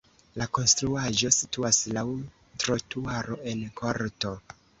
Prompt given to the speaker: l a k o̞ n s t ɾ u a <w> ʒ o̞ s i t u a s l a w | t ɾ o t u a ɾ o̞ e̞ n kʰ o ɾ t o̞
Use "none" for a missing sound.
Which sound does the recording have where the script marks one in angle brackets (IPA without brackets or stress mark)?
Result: none